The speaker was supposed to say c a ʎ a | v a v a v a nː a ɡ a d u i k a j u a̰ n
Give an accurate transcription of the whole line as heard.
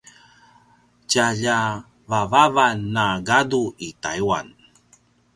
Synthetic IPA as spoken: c a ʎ a | v a v a v a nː a ɡ a d u i t a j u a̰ n

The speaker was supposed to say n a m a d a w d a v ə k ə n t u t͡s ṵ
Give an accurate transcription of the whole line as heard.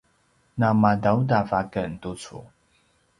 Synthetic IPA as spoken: n a m a d a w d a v a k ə n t u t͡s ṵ

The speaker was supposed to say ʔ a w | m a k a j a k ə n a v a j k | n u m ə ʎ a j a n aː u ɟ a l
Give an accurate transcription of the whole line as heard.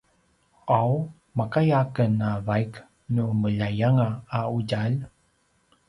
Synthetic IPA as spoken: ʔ a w | m a k a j a k ə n a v a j k | n u m ə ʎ a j a ŋ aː u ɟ a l

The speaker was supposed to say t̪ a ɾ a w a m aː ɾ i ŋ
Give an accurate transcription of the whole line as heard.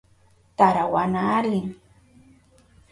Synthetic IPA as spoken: t̪ a ɾ a w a n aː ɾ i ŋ

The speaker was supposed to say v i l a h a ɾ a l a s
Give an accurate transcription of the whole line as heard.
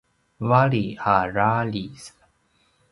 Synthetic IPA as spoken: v a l i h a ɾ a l i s

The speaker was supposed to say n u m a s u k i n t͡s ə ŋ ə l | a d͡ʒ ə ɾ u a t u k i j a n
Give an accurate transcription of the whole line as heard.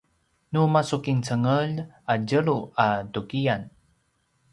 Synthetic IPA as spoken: n u m a s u k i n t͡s ə ŋ ə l | a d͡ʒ ə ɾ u a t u k i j a n

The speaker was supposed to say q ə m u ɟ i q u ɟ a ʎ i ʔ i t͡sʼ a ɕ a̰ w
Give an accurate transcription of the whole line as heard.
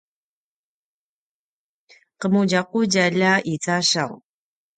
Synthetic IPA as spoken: q ə m u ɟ a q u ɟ a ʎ a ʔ i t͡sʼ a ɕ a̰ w

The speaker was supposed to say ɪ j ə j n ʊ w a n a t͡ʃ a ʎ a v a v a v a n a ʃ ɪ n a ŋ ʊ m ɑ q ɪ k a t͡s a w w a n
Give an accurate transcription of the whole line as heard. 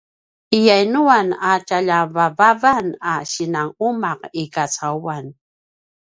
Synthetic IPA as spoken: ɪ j a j n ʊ w a n a t͡ʃ a ʎ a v a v a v a n a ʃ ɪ n a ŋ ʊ m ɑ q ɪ k a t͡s a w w a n

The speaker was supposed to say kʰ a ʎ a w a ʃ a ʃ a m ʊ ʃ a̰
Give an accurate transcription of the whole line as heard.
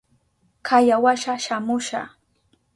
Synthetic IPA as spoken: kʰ a j a w a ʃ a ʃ a m ʊ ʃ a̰

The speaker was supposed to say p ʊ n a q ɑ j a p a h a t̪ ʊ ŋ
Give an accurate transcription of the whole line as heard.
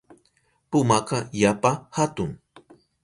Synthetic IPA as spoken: p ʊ m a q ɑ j a p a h a t̪ ʊ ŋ

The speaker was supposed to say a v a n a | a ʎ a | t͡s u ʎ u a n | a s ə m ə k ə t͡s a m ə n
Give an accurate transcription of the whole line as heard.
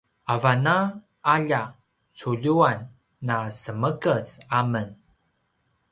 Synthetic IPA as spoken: a v a n a | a ʎ a | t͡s u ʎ u a nː | a s ə m ə k ə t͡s a m ə n

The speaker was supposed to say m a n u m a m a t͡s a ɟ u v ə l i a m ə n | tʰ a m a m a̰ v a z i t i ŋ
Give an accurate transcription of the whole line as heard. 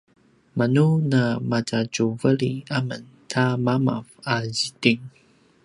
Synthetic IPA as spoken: m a n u n a m a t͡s a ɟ u v ə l i a m ə n | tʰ a m a m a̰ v a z i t i ŋ

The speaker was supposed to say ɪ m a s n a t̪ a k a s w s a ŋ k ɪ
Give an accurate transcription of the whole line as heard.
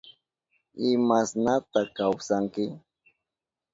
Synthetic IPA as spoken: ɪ m a s n a t̪ a k a w s a ŋ k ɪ

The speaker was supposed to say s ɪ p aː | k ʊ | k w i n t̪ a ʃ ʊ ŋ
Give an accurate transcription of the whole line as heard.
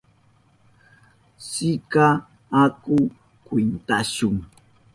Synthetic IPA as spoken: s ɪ k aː | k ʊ | k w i n t̪ a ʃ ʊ ŋ

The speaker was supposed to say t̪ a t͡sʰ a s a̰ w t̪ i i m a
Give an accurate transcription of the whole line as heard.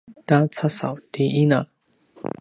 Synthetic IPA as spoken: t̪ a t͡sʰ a s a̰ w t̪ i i n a

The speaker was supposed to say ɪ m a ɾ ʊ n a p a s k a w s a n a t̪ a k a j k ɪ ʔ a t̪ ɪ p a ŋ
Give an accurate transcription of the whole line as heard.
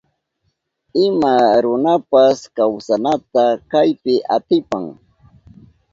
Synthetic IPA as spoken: ɪ m a ɾ ʊ n a p a s k a w s a n a t̪ a k a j p ɪ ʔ a t̪ ɪ p a ŋ

